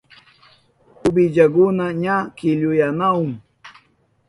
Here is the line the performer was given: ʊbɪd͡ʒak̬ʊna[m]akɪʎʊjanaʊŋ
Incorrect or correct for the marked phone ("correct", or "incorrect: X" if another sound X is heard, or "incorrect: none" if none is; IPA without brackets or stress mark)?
incorrect: ɲ